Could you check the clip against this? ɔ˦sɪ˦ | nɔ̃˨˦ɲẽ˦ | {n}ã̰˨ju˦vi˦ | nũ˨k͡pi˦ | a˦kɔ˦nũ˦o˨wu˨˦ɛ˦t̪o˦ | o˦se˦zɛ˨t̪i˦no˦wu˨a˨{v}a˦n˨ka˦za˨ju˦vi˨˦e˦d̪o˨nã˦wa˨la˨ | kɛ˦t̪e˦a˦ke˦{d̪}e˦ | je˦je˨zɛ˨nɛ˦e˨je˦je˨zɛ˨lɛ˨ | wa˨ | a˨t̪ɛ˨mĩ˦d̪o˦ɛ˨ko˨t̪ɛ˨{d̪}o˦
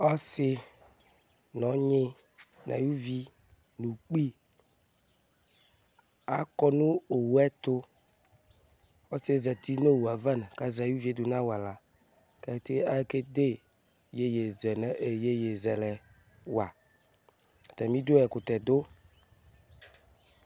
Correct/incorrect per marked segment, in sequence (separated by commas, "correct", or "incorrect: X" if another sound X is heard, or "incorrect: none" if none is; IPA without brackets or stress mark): correct, correct, correct, correct